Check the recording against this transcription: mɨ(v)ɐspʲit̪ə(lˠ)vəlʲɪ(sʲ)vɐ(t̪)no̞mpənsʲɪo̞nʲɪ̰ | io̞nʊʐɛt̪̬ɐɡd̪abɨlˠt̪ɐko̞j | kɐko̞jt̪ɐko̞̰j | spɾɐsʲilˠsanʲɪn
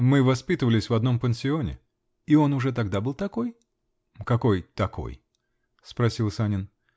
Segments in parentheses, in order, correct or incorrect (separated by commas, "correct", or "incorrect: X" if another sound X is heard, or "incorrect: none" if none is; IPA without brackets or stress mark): correct, incorrect: none, correct, incorrect: d̪